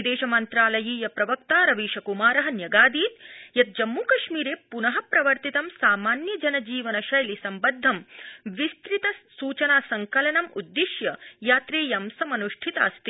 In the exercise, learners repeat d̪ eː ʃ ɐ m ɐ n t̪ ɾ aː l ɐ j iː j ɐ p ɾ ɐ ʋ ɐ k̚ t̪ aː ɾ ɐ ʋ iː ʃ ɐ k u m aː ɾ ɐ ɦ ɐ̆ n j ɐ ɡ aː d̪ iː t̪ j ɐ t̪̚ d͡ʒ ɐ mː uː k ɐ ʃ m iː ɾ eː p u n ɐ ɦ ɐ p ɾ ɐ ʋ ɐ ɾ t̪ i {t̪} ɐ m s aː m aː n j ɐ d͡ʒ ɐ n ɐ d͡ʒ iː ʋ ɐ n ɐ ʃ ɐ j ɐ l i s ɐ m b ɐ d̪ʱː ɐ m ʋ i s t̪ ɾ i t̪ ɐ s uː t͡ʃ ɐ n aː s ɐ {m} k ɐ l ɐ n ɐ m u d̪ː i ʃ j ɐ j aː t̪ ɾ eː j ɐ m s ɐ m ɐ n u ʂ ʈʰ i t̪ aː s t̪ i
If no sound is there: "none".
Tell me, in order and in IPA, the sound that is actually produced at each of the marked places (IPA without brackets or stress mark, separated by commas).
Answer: t̪, ŋ